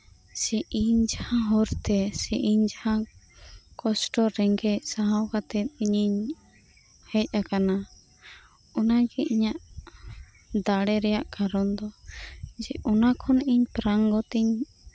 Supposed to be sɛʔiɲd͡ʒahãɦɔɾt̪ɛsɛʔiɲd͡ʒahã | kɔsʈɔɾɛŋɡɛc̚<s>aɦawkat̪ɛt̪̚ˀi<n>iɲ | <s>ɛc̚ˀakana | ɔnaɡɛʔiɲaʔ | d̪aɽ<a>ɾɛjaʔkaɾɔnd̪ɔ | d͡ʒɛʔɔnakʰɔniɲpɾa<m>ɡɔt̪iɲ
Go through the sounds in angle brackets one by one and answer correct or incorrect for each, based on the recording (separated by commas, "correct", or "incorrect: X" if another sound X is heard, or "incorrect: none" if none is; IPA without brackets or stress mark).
correct, incorrect: ɲ, incorrect: h, incorrect: ɛ, incorrect: ŋ